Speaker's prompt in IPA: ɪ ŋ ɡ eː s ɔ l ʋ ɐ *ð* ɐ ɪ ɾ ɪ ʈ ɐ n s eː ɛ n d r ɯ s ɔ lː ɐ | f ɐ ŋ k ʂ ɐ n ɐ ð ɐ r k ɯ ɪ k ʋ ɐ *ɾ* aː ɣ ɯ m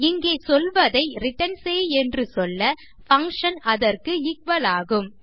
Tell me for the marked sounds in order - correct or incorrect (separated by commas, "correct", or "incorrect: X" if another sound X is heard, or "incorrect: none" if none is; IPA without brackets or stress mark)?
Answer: correct, incorrect: l